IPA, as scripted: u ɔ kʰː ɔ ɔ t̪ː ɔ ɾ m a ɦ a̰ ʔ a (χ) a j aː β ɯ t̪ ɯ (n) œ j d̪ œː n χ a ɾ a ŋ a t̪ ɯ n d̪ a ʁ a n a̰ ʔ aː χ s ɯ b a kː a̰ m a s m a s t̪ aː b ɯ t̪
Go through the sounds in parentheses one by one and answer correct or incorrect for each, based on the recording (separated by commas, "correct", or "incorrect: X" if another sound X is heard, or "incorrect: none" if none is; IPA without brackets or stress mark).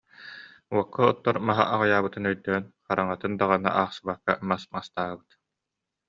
incorrect: ʁ, correct